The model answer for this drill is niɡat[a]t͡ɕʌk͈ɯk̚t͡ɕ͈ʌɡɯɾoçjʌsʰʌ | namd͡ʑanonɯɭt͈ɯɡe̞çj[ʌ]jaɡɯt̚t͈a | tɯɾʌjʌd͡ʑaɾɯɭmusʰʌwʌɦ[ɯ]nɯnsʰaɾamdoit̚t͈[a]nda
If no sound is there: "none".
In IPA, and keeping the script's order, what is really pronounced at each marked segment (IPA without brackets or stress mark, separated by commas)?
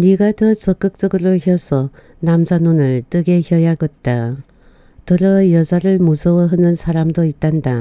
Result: ʌ, ʌ, ɯ, a